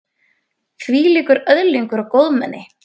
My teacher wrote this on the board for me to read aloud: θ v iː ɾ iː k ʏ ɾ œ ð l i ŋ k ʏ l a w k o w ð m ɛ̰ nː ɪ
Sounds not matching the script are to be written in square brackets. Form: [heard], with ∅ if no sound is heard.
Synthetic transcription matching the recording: θ v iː [l] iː k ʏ ɾ œ ð l i ŋ k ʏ [ɾ] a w k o w ð m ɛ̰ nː ɪ